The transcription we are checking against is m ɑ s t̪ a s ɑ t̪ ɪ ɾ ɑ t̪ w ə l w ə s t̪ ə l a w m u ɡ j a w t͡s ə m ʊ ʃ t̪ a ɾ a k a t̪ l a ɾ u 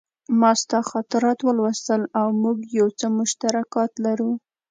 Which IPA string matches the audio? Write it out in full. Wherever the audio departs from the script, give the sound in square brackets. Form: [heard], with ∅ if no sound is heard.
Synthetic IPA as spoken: m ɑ s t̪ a [x] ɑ t̪ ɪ ɾ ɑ t̪ w ə l w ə s t̪ ə l a w m u ɡ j a w t͡s ə m ʊ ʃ t̪ a ɾ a k [ɑ] t̪ l a ɾ u